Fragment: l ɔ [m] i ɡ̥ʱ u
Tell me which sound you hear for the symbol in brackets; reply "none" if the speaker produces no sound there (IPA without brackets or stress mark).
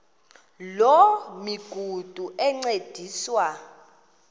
m